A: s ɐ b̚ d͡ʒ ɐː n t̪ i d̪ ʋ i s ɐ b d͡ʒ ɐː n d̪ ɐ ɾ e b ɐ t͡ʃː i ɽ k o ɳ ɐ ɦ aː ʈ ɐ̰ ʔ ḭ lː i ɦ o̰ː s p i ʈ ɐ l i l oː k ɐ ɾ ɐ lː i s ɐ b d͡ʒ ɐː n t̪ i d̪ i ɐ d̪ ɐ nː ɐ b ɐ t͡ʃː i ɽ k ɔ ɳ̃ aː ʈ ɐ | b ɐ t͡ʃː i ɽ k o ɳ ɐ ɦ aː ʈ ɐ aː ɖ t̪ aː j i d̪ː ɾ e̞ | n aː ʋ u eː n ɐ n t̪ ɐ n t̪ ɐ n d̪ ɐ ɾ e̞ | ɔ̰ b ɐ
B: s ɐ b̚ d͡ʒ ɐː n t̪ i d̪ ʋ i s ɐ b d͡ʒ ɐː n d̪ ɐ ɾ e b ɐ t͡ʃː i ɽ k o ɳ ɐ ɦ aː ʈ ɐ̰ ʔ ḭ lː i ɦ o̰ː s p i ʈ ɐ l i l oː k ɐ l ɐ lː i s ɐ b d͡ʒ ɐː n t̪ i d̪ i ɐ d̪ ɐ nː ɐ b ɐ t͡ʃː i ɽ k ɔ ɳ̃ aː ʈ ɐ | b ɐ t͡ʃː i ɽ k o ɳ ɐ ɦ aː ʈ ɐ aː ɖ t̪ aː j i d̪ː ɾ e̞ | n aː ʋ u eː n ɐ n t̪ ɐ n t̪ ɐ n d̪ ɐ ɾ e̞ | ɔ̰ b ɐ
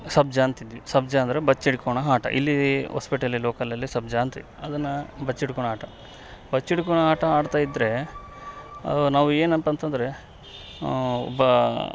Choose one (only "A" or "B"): B